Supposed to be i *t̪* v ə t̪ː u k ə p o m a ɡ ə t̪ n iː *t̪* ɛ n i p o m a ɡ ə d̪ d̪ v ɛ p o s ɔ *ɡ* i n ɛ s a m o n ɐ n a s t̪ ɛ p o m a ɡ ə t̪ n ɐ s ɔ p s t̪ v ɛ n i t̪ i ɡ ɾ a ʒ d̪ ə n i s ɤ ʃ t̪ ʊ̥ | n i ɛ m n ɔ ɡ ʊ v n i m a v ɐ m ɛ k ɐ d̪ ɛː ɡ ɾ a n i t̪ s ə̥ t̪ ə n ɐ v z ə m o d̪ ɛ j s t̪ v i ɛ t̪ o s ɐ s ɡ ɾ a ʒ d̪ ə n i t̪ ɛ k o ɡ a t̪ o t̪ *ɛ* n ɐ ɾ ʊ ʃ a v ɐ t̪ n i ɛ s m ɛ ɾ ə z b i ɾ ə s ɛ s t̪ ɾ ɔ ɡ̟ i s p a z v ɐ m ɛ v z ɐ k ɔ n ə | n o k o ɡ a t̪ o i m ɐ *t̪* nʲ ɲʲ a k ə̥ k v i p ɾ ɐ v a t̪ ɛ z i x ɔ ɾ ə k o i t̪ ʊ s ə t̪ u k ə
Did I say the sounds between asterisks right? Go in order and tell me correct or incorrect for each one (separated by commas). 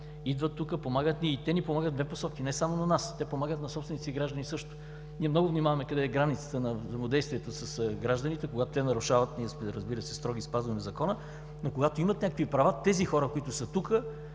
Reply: incorrect, correct, incorrect, correct, correct